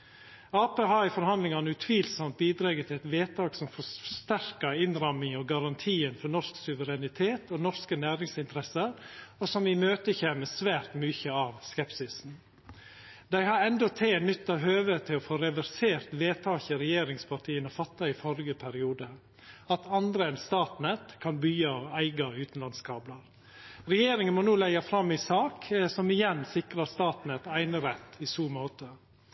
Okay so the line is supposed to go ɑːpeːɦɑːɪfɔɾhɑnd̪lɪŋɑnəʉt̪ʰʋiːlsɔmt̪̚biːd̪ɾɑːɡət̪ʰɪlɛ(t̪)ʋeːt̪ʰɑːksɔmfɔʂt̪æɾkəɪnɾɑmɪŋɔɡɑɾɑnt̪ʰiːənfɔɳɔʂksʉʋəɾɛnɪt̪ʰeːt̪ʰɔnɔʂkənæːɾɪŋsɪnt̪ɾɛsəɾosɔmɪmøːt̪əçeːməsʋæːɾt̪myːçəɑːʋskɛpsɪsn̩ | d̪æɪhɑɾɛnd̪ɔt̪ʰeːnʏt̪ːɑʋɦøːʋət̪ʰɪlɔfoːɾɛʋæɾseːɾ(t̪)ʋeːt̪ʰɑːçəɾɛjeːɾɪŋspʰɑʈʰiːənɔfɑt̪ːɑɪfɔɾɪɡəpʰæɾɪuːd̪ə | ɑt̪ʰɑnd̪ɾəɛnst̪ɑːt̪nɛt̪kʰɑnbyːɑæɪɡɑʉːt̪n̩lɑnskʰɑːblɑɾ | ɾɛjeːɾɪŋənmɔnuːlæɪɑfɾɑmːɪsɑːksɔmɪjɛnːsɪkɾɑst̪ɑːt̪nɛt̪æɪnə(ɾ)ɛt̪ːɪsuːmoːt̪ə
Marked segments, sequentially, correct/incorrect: correct, correct, correct

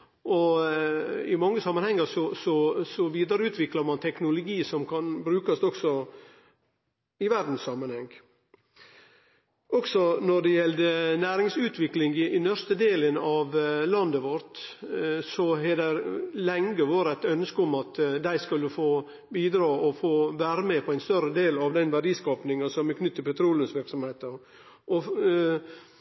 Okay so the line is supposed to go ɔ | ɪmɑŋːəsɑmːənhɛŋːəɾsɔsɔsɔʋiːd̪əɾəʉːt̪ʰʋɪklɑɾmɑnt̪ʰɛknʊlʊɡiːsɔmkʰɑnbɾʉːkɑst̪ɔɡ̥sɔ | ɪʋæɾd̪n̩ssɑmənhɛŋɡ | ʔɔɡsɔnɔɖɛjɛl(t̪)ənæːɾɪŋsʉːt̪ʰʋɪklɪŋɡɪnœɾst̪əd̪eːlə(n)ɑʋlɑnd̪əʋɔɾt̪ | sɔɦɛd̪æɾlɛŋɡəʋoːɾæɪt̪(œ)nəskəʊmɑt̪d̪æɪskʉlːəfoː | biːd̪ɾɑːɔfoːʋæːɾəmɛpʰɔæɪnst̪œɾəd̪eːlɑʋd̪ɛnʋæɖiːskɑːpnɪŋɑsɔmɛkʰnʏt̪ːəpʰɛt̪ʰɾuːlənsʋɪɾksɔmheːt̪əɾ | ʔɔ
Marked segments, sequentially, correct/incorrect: incorrect, correct, correct

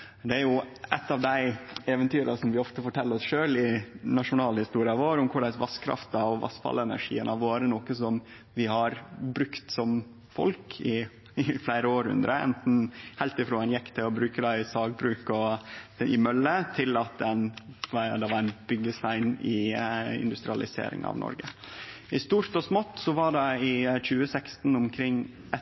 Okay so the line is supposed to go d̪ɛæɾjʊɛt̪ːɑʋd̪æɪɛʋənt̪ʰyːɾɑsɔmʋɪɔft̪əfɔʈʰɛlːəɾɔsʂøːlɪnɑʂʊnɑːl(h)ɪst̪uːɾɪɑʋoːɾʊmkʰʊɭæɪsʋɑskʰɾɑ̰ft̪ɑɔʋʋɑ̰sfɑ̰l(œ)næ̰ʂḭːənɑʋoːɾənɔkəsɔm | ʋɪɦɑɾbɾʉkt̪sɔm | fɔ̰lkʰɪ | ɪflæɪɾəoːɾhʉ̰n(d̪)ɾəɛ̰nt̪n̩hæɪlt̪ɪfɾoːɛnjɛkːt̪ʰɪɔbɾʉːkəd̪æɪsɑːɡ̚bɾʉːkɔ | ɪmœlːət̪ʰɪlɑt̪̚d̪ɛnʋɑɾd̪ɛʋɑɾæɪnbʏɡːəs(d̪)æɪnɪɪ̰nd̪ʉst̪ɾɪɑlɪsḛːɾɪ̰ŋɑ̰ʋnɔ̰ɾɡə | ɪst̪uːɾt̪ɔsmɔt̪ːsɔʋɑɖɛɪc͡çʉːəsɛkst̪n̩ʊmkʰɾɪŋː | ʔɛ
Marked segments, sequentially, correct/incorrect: correct, incorrect, correct, incorrect

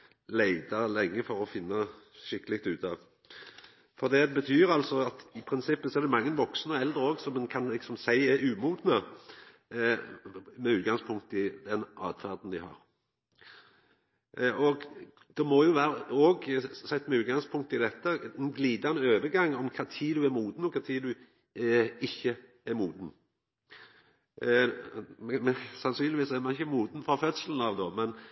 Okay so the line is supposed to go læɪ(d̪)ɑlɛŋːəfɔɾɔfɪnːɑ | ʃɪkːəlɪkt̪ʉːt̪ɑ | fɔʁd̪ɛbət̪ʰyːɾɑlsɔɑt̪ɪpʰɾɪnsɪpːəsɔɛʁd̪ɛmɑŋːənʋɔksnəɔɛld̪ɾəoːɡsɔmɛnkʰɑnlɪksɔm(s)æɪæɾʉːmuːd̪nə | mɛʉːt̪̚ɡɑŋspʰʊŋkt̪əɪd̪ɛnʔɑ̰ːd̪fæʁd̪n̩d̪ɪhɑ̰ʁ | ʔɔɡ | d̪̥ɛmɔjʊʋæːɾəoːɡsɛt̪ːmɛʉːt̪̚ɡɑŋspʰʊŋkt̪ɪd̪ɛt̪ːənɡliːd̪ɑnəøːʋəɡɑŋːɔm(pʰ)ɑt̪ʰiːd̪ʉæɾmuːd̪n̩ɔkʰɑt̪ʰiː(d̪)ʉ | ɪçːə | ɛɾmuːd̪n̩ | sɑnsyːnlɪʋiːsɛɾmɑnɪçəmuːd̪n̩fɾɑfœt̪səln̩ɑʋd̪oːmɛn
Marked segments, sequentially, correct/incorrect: correct, correct, incorrect, correct

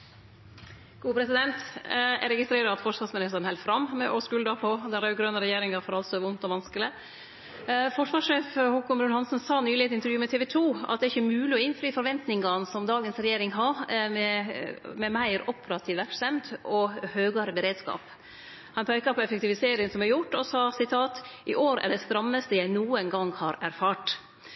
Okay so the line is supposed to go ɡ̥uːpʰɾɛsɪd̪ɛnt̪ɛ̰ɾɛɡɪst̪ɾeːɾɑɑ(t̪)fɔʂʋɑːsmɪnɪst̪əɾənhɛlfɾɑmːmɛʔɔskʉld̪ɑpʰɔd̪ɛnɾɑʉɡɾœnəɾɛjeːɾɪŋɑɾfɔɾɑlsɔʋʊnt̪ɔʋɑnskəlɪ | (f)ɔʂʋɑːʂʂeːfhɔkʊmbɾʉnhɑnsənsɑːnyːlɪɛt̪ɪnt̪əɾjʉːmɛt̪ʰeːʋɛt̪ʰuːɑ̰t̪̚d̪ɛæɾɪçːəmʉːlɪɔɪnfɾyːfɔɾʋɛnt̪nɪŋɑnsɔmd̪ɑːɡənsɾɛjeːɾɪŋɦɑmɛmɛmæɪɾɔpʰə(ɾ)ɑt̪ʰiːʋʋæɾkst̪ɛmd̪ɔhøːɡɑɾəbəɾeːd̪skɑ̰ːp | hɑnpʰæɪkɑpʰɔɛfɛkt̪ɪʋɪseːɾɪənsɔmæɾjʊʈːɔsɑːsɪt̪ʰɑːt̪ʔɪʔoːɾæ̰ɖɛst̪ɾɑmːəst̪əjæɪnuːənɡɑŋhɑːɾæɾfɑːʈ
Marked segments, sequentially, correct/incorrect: correct, correct, correct

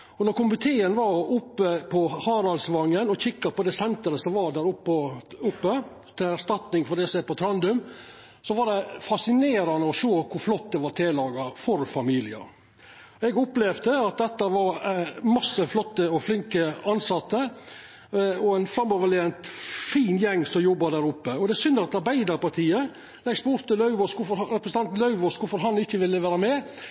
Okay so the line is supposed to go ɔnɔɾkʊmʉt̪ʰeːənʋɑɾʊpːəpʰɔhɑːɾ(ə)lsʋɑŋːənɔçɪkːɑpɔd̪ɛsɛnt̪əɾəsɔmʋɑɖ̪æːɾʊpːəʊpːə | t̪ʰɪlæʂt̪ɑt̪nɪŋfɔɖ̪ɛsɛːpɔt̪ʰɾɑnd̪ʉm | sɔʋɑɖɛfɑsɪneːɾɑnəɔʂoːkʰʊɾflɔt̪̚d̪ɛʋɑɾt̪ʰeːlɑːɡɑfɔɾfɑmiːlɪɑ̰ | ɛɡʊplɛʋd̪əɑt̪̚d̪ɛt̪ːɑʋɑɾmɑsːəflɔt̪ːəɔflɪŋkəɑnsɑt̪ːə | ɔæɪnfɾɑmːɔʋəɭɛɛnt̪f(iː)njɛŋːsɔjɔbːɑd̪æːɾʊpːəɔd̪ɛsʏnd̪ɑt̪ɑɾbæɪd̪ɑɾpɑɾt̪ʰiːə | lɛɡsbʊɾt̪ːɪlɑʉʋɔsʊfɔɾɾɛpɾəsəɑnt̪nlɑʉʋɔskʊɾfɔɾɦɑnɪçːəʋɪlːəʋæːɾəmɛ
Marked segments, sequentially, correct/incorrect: incorrect, correct

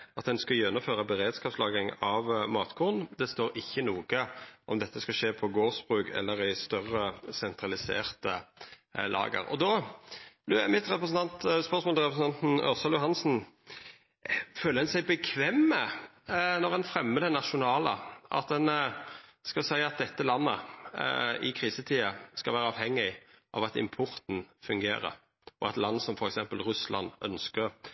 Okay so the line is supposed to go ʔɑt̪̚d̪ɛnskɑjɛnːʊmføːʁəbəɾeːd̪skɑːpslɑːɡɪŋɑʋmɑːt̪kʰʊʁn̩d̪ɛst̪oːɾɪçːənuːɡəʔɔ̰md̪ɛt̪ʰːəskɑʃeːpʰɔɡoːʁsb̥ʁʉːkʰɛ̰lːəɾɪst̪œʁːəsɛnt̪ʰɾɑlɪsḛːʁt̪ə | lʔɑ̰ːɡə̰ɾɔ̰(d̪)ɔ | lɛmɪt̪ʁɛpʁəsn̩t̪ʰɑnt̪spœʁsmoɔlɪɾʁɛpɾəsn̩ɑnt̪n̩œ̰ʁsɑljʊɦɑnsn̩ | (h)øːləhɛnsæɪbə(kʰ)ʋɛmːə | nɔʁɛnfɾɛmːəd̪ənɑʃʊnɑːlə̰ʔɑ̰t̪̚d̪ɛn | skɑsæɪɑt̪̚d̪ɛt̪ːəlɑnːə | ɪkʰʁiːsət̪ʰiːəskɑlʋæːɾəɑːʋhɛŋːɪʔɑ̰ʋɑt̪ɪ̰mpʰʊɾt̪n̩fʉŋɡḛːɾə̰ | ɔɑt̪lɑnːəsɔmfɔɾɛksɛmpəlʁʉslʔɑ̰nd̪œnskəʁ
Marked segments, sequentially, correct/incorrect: correct, incorrect, correct

